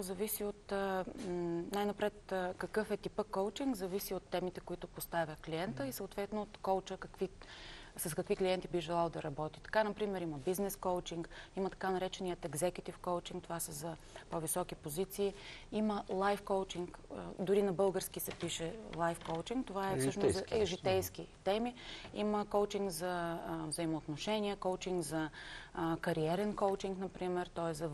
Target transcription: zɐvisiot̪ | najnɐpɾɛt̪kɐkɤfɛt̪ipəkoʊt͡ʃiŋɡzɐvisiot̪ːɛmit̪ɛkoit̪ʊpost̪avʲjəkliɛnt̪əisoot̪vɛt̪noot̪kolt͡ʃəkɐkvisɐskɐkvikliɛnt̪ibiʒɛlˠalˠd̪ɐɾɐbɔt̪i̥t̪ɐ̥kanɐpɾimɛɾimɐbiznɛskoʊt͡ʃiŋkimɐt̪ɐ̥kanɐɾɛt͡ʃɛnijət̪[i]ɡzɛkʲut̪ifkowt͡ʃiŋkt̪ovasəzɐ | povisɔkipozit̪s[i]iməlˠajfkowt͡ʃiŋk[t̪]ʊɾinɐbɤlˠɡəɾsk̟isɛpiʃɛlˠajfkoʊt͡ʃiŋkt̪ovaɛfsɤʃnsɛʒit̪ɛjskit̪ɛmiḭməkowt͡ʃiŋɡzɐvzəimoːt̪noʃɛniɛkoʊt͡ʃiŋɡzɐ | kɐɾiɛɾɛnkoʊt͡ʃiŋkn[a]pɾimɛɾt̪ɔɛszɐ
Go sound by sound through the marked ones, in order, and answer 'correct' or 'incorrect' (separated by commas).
incorrect, incorrect, incorrect, incorrect